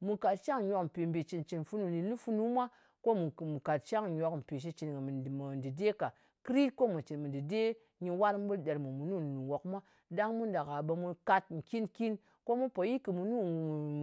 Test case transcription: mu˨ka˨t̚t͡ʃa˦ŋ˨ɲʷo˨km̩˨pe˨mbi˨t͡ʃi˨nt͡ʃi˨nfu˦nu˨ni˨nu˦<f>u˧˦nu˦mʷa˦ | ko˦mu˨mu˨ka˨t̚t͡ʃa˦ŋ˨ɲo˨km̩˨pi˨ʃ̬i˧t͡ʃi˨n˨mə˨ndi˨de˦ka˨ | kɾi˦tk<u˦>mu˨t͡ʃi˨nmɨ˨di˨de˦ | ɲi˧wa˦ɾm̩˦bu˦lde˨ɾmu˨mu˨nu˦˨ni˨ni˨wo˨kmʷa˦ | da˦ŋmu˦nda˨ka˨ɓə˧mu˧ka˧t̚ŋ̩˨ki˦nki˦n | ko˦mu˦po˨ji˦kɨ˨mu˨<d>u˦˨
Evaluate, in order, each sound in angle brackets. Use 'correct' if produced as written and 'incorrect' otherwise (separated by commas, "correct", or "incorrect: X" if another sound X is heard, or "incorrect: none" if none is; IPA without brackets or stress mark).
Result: correct, incorrect: o˦, incorrect: n